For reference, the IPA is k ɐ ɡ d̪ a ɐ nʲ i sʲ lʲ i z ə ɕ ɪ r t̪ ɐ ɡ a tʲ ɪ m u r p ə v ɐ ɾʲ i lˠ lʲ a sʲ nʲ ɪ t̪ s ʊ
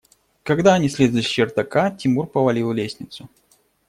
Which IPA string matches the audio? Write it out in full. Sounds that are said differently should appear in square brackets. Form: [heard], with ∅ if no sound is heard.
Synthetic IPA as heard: k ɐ ɡ d̪ a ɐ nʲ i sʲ lʲ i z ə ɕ ɪ r t̪ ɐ [k] a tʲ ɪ m u r p ə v ɐ [lʲ] i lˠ lʲ [e] sʲ nʲ ɪ t̪ s ʊ